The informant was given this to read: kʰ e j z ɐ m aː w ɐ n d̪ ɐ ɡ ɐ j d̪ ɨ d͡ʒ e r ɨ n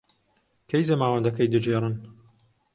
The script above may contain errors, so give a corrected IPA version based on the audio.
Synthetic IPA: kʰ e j z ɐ m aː w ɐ n d̪ ɐ k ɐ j d̪ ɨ d͡ʒ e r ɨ n